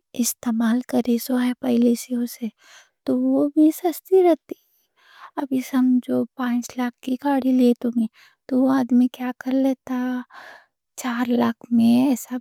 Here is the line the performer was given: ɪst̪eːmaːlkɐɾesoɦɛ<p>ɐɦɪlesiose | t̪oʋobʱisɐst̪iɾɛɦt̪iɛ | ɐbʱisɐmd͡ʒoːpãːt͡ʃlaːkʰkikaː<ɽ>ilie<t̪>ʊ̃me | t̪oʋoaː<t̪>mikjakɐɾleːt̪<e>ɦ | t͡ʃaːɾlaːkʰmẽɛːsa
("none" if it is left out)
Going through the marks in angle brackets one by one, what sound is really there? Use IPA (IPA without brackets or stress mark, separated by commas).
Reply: p, ɽ, t̪, d̪, a